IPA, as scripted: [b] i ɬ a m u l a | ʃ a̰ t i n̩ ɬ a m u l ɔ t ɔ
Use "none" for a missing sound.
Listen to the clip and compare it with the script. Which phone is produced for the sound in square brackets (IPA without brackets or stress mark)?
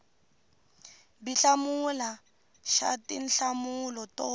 b